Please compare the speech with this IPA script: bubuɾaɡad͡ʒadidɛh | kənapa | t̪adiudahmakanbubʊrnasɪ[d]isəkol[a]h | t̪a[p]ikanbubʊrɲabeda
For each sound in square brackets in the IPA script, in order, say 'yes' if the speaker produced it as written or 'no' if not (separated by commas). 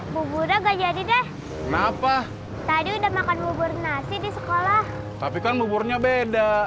yes, yes, yes